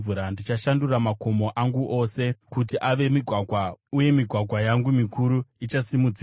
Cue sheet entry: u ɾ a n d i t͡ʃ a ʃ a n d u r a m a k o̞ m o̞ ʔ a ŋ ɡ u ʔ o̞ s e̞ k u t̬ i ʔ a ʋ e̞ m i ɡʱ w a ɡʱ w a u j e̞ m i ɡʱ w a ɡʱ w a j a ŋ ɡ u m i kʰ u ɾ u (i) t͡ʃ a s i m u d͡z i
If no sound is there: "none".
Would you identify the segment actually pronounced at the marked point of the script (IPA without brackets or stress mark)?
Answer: i